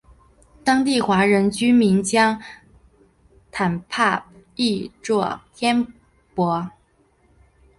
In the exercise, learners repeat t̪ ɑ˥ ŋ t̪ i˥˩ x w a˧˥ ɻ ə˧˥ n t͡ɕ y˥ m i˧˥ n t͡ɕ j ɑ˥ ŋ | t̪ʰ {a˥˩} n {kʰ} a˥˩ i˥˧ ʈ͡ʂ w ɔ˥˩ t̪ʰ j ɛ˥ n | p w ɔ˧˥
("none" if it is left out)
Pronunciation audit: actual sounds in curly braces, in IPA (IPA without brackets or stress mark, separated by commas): a˨˩, pʰ